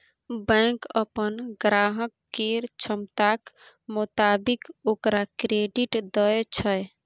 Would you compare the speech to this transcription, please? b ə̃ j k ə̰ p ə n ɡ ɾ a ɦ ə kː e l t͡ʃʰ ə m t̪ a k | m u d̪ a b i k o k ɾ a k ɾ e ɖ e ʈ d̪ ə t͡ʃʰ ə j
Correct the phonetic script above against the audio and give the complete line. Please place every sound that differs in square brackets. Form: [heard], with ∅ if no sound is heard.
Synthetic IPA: b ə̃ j k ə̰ p ə n ɡ ɾ a ɦ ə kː e [ɾ] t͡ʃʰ ə m t̪ a k | m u [t̪] a b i k o k ɾ a k ɾ e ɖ [i] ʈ d̪ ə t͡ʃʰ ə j